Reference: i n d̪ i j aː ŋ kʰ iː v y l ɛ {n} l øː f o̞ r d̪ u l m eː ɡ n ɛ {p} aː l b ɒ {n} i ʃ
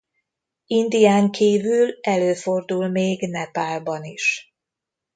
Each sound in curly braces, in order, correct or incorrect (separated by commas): incorrect, correct, correct